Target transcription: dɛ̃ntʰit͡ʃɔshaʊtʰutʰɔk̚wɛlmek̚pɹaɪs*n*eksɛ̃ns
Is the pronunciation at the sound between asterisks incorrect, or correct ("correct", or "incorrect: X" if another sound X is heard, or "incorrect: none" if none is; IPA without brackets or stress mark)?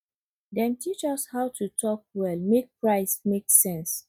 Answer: incorrect: m